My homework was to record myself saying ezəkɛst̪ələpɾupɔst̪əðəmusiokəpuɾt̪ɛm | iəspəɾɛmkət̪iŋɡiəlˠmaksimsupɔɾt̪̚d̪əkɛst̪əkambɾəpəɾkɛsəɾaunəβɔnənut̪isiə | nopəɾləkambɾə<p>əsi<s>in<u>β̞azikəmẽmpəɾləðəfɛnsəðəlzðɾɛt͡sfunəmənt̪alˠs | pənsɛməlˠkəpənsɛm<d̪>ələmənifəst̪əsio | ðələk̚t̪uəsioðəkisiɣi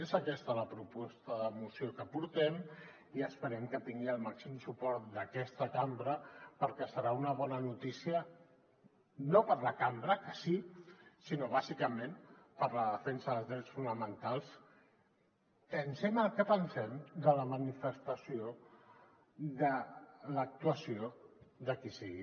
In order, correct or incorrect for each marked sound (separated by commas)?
incorrect, correct, incorrect, correct